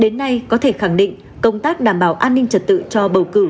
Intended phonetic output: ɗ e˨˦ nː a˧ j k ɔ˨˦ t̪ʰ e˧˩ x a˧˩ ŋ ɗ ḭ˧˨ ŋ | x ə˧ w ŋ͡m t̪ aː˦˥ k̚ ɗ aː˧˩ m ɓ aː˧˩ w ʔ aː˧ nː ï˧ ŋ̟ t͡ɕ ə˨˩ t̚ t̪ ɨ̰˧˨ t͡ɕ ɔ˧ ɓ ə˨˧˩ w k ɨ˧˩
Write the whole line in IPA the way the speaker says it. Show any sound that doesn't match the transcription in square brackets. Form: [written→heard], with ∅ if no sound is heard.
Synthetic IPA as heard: ɗ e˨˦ nː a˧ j k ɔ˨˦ t̪ʰ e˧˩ x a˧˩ ŋ ɗ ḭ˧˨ ŋ | [x→k] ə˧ w ŋ͡m t̪ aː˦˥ k̚ ɗ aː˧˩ m ɓ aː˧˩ w ʔ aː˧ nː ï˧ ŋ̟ t͡ɕ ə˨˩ t̚ t̪ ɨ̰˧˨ t͡ɕ ɔ˧ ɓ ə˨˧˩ w k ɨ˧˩